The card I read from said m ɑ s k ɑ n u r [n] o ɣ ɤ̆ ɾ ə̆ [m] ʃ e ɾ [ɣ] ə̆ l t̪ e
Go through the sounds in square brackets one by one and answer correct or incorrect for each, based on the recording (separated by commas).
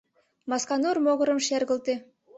incorrect, correct, correct